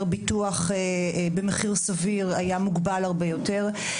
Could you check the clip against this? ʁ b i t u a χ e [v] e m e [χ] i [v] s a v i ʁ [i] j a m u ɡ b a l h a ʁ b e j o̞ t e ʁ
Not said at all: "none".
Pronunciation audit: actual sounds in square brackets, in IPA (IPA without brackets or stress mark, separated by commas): b, χ, ʁ, a